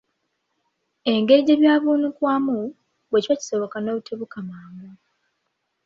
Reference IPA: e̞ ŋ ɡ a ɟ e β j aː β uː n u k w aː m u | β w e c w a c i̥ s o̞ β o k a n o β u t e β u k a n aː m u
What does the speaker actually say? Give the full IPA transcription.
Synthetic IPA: e̞ ŋ ɡ e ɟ e β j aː β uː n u k w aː m u | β w e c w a c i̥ s o̞ β o k a n o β u t e β u k a m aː m u